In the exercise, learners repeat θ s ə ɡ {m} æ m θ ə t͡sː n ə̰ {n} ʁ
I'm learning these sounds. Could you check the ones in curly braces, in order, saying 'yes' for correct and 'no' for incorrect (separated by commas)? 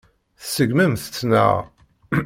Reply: yes, no